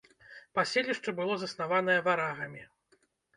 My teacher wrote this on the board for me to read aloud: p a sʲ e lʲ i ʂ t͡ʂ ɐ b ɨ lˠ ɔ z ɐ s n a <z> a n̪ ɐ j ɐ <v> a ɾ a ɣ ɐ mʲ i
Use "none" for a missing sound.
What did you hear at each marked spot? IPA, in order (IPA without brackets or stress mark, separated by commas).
v, v